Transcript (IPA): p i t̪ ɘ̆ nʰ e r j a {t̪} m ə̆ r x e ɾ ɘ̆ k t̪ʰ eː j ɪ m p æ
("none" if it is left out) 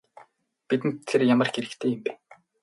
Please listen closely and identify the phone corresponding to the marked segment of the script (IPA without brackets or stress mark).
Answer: none